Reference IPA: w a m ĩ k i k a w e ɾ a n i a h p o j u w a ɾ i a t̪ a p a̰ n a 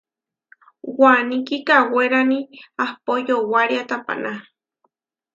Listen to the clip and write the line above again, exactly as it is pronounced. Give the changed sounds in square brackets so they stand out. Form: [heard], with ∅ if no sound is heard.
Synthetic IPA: w a [n] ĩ k i k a w e ɾ a n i a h p o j [o] w a ɾ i a t̪ a p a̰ n a